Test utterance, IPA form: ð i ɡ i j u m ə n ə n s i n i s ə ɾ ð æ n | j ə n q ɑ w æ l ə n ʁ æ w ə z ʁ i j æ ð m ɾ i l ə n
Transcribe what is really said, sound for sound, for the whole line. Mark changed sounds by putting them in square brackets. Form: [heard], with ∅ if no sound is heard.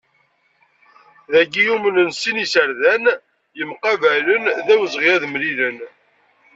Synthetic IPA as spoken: ð [æ] ɡ i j u m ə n ə n s i n i s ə ɾ ð æ n | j ə [m] q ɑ [v] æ l ə n [ð] æ w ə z ʁ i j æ ð m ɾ i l ə n